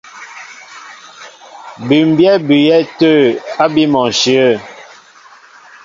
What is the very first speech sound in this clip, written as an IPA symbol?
b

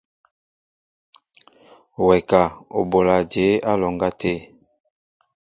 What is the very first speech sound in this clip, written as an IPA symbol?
w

